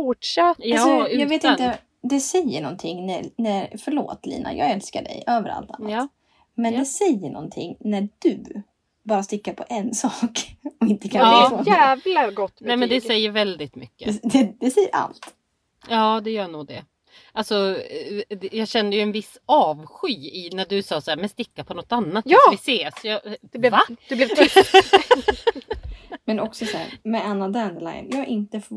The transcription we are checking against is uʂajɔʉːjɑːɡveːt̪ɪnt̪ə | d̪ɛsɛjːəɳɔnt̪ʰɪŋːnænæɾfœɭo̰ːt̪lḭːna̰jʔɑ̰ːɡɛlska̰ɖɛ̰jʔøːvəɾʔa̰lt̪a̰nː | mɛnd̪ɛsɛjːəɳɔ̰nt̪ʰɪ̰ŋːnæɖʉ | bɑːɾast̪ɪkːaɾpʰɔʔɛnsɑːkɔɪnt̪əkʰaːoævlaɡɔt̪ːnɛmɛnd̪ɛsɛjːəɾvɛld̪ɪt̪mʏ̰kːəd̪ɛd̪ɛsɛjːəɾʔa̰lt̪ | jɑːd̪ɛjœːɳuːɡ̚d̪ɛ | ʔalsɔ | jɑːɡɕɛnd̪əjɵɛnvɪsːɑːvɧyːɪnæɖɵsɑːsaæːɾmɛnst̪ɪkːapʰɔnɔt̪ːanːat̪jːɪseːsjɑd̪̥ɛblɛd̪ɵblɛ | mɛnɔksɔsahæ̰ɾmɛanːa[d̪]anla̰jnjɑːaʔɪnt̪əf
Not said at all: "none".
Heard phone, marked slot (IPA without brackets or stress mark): d̪